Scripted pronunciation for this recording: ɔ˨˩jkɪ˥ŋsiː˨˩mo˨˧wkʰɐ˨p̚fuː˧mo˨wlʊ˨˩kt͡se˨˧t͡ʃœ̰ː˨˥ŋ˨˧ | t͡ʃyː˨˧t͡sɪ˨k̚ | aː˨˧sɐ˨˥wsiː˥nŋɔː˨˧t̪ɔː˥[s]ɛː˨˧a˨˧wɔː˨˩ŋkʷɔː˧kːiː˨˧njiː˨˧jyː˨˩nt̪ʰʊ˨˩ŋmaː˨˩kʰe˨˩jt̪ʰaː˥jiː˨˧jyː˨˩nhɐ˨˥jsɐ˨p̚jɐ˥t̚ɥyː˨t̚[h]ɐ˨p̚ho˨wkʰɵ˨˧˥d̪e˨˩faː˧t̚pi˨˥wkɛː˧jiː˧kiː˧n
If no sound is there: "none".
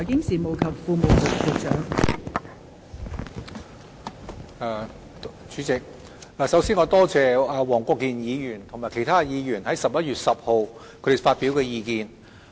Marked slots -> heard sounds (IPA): t͡s, s

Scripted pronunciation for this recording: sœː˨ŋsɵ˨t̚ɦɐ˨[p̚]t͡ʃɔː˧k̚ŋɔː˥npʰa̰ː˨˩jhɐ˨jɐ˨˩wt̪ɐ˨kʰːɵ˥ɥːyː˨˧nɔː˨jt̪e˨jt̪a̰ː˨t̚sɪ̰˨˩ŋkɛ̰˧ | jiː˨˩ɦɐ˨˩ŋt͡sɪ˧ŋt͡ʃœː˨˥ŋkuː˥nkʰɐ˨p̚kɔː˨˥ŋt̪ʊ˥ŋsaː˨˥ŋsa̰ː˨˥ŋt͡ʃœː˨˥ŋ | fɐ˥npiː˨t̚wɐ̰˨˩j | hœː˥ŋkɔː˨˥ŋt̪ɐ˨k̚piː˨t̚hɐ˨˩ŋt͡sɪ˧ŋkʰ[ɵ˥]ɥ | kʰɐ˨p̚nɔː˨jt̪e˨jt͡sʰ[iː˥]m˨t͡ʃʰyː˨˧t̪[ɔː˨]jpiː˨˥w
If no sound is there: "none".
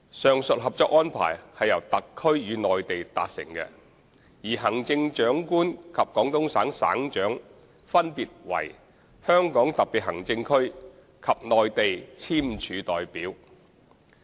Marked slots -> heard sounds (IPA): p̚, ɵ˥, iː˥, ɔː˨

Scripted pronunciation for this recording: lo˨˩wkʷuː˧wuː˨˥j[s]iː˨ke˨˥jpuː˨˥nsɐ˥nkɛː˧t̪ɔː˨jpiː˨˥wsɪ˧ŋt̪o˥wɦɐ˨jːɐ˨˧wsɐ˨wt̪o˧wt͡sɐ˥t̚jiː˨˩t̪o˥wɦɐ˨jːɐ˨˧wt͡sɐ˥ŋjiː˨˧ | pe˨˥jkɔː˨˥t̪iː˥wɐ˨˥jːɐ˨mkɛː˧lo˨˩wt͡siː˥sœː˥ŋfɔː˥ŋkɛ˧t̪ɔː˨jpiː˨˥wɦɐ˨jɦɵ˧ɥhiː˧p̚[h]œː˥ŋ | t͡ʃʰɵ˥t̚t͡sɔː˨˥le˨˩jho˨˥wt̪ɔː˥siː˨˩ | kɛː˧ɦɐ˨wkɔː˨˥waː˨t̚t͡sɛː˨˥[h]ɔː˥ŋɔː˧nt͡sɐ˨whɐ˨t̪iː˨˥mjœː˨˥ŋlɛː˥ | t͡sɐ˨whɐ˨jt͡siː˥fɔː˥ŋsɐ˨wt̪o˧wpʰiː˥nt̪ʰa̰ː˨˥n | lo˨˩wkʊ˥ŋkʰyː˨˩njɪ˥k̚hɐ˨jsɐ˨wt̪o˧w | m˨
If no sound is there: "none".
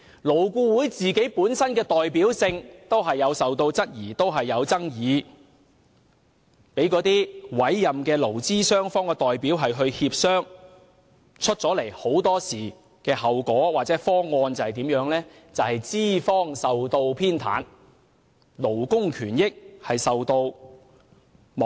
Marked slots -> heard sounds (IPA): t͡s, s, f

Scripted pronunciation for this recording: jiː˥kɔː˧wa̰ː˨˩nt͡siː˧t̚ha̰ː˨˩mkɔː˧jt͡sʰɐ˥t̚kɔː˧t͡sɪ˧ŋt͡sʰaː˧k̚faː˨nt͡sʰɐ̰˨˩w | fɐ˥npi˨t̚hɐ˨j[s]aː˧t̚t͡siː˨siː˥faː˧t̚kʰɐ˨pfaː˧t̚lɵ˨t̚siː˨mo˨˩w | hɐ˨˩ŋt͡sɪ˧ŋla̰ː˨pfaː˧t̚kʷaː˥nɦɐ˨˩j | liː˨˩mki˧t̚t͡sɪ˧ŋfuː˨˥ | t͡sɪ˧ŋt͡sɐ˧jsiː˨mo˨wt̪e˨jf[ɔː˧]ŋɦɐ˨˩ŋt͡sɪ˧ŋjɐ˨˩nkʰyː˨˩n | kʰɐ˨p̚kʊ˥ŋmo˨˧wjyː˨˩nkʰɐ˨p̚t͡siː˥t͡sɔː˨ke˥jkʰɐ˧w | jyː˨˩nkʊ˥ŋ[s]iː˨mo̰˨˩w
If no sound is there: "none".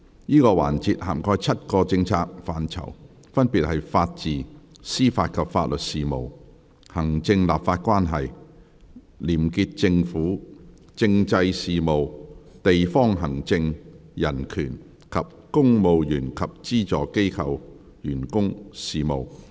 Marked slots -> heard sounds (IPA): f, ɔː˥, s

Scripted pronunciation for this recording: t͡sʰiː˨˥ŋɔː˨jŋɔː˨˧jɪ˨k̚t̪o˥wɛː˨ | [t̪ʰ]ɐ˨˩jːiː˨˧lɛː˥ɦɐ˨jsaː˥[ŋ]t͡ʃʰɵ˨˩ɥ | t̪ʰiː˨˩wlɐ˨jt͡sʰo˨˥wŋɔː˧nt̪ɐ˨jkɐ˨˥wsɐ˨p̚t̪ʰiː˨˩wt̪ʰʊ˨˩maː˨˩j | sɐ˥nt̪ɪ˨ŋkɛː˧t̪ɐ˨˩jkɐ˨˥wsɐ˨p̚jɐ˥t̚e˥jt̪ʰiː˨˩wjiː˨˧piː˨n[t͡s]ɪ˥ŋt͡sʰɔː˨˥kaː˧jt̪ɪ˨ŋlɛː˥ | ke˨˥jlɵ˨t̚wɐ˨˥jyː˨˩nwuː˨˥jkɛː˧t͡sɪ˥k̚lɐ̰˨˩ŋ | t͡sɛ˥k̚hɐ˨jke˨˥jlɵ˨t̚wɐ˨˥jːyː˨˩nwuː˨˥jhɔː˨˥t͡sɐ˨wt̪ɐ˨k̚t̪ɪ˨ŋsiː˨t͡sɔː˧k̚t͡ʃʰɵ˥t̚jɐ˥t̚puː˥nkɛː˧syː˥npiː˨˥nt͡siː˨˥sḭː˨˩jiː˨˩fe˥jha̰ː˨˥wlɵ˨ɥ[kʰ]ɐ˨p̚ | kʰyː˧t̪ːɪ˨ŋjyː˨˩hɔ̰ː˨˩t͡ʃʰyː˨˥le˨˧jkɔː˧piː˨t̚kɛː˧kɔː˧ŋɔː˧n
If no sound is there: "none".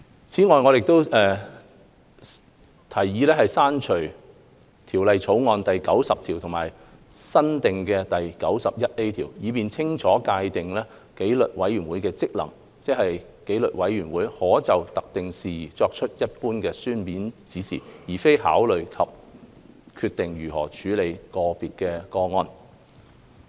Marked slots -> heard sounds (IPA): t̪ʰ, n, t͡sʰ, kʰ

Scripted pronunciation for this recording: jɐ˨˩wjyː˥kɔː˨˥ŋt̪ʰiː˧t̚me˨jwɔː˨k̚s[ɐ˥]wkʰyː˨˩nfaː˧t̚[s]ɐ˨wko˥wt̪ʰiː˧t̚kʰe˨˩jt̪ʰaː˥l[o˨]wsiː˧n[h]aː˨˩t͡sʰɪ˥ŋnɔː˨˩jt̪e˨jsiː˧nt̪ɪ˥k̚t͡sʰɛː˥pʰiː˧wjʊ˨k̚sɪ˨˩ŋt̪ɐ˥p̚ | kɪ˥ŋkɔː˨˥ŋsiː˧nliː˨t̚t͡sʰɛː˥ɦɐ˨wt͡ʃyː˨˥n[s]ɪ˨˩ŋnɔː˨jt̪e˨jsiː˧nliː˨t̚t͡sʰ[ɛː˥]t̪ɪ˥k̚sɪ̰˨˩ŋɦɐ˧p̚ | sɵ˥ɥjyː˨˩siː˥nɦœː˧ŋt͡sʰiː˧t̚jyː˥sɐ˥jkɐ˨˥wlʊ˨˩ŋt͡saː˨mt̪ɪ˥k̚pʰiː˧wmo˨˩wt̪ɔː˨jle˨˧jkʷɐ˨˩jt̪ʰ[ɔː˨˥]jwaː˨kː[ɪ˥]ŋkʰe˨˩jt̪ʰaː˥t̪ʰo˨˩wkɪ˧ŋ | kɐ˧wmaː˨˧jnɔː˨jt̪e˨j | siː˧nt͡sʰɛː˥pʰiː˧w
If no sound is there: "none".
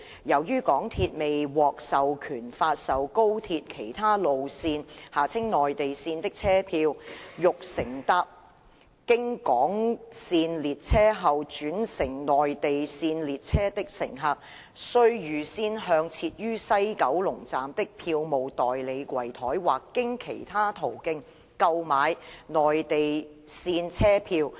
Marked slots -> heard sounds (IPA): ɐ˨, s, o˨, h, s, ɛː˥, ɔː˨˥, ɪ˥

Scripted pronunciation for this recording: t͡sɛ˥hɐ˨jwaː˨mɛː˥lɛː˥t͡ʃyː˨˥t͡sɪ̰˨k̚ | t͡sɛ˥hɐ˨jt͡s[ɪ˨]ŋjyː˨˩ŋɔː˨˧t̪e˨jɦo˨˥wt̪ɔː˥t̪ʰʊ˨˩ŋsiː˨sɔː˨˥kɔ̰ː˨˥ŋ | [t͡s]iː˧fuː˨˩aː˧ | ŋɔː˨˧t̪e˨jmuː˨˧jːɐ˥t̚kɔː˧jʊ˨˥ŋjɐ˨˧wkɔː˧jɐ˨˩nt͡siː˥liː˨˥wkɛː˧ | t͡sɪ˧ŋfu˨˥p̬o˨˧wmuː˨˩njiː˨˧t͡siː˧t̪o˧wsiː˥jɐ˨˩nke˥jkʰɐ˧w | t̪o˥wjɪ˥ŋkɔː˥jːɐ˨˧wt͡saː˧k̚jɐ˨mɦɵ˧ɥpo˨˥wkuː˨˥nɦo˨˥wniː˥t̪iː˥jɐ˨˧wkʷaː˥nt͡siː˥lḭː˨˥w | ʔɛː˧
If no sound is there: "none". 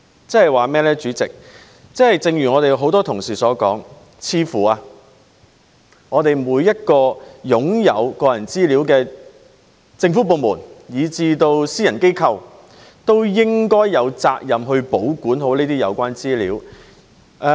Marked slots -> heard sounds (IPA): ɪ˨, t͡sʰ

